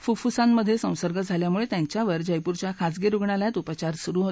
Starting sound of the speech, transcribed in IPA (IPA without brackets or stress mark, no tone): f